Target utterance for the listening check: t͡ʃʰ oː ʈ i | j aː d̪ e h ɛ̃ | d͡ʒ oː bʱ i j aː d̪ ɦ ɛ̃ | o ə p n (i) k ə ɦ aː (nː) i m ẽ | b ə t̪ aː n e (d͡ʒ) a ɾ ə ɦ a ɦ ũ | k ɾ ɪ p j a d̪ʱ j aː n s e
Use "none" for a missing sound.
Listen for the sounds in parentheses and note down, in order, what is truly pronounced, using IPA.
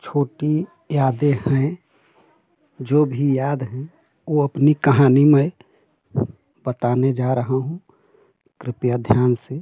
i, n, d͡ʒ

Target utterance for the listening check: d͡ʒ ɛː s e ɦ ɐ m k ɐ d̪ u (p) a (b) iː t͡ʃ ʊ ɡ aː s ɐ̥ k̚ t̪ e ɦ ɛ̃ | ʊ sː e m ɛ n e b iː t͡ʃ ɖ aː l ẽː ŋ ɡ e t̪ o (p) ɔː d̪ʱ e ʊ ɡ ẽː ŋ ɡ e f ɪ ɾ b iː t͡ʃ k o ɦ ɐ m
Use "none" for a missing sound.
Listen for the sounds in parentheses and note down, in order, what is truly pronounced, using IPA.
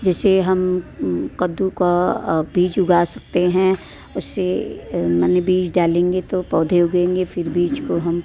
k, b, p

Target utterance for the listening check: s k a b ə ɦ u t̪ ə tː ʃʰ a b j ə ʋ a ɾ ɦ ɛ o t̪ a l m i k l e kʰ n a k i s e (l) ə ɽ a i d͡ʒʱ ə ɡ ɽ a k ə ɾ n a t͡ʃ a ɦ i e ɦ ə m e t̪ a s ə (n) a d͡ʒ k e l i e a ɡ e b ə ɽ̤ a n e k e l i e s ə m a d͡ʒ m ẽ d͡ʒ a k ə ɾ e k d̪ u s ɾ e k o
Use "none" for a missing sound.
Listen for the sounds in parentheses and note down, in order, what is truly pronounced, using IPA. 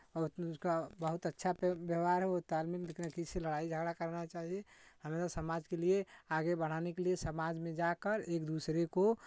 l, m

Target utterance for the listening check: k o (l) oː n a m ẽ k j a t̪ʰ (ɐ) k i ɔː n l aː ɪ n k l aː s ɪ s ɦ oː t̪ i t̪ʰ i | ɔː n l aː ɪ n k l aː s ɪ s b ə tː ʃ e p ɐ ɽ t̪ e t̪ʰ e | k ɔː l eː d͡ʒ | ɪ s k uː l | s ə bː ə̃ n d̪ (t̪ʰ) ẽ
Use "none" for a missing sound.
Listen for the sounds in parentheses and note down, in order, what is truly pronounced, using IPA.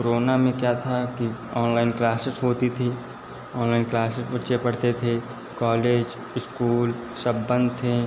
ɾ, a, t̪ʰ

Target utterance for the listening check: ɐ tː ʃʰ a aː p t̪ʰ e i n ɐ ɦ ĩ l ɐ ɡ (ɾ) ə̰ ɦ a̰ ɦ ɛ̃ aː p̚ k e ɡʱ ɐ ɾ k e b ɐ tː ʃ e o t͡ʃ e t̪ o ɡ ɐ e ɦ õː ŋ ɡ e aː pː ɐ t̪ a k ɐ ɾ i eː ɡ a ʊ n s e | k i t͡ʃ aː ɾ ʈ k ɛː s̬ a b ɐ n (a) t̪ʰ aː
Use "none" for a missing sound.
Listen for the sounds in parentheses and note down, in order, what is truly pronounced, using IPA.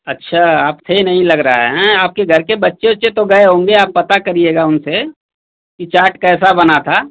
ɾ, a

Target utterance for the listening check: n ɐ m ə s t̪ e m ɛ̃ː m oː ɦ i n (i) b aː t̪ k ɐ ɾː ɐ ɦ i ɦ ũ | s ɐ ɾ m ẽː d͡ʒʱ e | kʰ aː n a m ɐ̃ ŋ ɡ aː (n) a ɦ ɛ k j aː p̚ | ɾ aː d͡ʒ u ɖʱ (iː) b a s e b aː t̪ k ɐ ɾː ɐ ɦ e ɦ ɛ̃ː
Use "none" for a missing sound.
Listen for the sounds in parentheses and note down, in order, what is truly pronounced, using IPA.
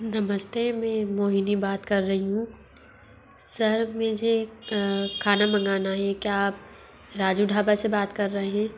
i, n, aː

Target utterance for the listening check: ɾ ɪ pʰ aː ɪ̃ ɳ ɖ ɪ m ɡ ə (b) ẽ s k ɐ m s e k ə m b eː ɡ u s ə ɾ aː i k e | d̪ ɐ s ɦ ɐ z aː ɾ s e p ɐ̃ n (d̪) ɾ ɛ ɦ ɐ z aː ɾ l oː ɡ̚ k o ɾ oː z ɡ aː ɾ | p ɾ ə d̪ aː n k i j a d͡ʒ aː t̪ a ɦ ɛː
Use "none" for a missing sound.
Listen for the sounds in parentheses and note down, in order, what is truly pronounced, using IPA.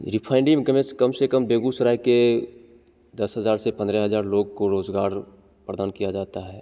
m, d̪

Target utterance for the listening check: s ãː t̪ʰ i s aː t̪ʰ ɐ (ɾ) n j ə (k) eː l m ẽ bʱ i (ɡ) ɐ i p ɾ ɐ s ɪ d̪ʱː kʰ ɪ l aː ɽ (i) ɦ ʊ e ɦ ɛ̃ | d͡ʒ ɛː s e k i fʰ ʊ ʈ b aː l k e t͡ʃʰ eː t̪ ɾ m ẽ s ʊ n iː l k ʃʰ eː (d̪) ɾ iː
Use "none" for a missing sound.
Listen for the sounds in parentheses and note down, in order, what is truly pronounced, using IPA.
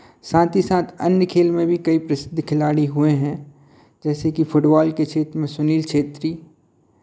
none, kʰ, k, i, t̪

